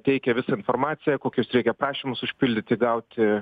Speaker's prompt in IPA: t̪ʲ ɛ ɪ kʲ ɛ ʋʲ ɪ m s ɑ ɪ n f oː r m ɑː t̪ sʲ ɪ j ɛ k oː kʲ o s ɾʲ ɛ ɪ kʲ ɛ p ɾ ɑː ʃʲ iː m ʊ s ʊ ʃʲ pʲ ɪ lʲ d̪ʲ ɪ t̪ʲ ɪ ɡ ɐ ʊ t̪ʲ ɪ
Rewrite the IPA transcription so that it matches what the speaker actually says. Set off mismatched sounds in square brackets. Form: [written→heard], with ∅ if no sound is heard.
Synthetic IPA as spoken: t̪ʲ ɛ ɪ kʲ ɛ ʋʲ ɪ [m→∅] s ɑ ɪ n f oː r m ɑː t̪ sʲ ɪ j ɛ k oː kʲ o s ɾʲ ɛ ɪ kʲ ɛ p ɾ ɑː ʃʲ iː m ʊ s ʊ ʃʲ pʲ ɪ lʲ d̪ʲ ɪ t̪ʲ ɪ ɡ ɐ ʊ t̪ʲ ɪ